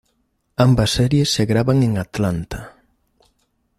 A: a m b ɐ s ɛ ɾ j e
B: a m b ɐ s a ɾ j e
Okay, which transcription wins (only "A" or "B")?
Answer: A